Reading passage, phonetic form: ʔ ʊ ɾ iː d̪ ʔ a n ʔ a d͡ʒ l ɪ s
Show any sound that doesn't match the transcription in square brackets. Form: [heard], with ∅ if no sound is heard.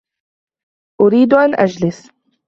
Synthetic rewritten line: ʔ ʊ ɾ iː d̪ ʔ a n ʔ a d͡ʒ l ɪ s